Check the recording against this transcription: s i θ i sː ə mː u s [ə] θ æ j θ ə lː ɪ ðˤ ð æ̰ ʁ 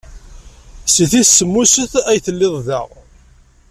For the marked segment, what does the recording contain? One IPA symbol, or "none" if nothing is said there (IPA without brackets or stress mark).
ə